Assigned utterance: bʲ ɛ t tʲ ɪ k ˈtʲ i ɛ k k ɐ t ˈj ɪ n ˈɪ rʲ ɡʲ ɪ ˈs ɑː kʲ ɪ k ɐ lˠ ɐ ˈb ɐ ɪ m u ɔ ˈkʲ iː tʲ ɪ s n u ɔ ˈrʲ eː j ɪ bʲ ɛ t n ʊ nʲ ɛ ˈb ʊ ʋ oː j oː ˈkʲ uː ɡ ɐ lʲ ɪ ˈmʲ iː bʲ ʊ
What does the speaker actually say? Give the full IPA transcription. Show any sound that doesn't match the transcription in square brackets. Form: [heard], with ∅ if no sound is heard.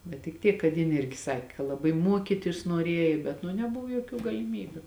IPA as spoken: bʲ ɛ t tʲ ɪ k ˈtʲ i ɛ k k ɐ t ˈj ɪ n ˈɪ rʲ ɡʲ ɪ ˈs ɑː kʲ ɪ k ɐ lˠ ɐ ˈb ɐ ɪ m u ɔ ˈkʲ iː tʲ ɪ s n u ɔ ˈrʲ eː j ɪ bʲ ɛ t n ʊ nʲ ɛ ˈb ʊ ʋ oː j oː ˈkʲ uː ɡ ɐ lʲ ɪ ˈmʲ iː bʲ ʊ